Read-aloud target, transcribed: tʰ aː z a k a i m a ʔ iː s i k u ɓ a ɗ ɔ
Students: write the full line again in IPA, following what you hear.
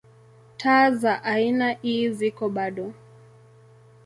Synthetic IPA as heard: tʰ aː z a ʔ a i n a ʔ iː z i k ɔ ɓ a ɗ ɔ